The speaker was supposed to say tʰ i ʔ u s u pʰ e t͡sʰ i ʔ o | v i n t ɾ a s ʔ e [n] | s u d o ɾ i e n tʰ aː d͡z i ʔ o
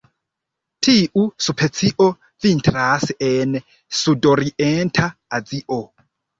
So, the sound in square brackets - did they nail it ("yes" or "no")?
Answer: yes